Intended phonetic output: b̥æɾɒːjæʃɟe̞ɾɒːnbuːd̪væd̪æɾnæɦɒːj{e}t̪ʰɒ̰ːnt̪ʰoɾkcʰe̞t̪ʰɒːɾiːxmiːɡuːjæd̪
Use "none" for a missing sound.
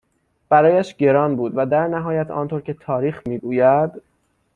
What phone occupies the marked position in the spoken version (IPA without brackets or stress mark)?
æ